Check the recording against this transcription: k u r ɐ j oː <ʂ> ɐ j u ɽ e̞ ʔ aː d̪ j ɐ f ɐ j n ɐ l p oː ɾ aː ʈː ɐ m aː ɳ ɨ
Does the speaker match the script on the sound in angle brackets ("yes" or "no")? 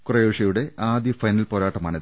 yes